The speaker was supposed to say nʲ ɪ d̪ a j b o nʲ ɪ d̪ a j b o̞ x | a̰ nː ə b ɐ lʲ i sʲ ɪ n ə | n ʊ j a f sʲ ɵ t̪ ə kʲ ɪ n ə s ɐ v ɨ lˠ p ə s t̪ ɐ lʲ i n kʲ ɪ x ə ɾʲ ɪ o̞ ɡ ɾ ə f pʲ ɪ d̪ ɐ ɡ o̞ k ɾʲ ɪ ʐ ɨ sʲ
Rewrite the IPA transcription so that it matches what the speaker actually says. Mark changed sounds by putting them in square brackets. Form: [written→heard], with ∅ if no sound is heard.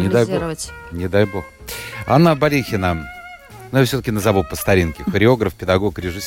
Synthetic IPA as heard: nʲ ɪ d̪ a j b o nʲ ɪ d̪ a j b o̞ x | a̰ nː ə b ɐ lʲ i [sʲ→xʲ] ɪ n ə | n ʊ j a f sʲ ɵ t̪ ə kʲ ɪ n ə [s→z] ɐ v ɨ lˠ p ə s t̪ ɐ [lʲ→ɾʲ] i n kʲ ɪ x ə ɾʲ ɪ o̞ ɡ ɾ ə f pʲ ɪ d̪ ɐ ɡ o̞ k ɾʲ ɪ ʐ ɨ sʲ